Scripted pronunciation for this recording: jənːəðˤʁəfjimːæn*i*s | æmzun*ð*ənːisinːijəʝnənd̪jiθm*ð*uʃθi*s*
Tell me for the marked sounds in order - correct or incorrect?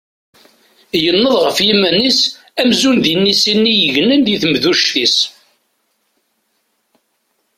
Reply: correct, correct, correct, correct

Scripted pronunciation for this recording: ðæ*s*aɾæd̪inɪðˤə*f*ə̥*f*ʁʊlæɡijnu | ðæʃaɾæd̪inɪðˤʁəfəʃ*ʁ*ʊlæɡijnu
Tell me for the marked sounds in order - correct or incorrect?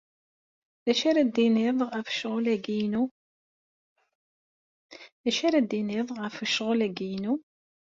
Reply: incorrect, correct, incorrect, correct

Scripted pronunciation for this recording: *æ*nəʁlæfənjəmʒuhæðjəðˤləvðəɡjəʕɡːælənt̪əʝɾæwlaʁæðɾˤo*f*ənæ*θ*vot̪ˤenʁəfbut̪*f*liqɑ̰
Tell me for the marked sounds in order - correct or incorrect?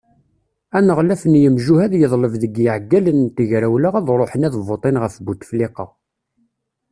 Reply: correct, incorrect, incorrect, correct

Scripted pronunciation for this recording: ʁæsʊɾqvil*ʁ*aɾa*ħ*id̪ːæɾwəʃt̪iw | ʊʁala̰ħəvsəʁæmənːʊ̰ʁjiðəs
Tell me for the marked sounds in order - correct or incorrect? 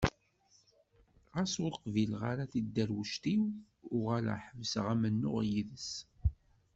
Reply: correct, incorrect

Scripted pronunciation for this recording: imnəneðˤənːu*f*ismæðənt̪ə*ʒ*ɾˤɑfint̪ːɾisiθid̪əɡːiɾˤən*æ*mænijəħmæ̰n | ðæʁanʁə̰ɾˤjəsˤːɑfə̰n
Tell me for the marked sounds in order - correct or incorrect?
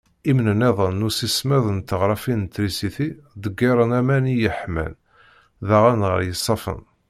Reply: incorrect, incorrect, correct

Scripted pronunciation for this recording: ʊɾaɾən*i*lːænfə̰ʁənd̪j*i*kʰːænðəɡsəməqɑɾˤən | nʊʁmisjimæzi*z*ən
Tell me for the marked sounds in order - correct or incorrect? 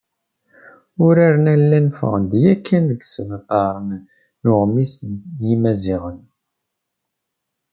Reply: incorrect, incorrect, incorrect

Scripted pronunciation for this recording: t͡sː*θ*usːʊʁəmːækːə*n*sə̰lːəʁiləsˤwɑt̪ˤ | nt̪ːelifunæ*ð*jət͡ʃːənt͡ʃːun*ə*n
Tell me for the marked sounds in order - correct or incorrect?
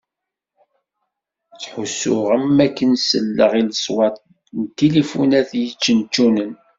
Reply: incorrect, correct, incorrect, correct

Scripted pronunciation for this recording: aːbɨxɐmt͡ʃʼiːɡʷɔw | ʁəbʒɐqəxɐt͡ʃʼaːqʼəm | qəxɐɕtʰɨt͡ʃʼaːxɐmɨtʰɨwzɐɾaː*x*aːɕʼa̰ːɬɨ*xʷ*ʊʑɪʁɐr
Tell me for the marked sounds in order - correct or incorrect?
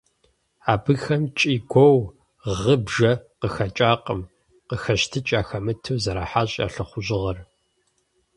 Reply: incorrect, incorrect

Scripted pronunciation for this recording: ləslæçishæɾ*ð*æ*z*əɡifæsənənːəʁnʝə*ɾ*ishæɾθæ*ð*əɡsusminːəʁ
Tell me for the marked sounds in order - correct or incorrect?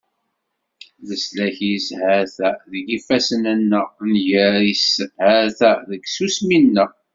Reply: incorrect, incorrect, correct, correct

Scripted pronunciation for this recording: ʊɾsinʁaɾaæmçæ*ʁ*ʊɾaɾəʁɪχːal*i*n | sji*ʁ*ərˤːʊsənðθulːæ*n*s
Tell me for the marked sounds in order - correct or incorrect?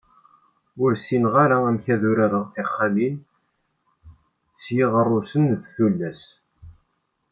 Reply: incorrect, correct, correct, incorrect

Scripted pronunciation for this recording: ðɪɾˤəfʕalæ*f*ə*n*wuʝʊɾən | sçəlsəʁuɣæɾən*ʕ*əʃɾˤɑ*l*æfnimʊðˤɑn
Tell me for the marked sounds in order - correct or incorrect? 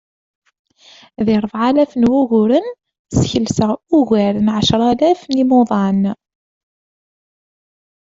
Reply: correct, correct, correct, correct

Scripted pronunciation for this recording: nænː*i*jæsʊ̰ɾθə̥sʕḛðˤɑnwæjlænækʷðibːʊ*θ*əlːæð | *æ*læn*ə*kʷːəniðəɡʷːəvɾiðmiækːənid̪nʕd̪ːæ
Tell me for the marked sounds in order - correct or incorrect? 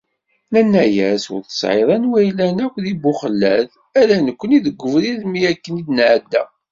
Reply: incorrect, incorrect, correct, correct

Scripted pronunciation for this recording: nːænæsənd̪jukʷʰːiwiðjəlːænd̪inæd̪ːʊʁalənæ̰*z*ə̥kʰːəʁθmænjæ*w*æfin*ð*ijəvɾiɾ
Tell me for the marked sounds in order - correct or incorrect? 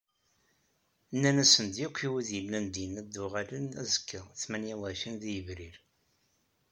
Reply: correct, correct, correct

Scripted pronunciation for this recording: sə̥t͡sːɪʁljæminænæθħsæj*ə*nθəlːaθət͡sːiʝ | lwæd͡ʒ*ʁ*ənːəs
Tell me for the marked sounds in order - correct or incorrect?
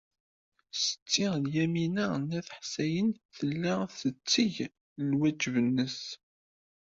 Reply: correct, incorrect

